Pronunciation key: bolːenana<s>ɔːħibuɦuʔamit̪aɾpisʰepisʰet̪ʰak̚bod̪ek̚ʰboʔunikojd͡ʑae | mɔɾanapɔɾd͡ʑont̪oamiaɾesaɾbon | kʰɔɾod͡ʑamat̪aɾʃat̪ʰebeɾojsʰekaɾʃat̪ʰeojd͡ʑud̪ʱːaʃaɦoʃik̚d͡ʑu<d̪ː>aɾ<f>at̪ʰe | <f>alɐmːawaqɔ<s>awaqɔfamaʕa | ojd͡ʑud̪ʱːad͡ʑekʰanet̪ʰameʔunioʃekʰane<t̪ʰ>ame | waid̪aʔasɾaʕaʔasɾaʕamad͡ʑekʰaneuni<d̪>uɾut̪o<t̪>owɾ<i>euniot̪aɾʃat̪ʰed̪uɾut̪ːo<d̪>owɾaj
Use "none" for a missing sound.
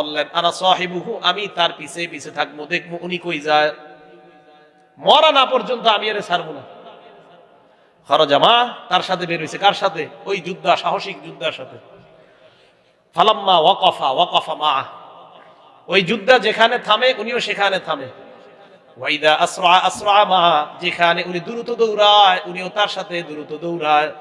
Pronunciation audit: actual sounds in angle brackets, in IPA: s, d̪ː, ʃ, f, f, t̪ʰ, d̪, d̪, a, d̪

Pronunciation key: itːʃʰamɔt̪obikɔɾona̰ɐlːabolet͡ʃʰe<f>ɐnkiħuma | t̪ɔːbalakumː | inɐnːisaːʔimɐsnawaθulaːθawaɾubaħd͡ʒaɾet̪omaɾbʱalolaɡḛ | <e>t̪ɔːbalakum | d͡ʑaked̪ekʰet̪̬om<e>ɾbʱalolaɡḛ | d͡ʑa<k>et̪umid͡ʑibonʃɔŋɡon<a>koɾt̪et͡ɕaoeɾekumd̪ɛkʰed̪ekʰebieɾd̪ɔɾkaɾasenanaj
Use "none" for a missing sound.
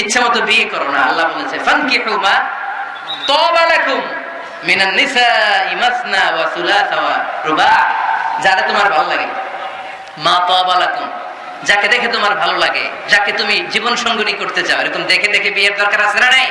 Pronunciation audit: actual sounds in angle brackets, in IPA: f, a, a, k, i

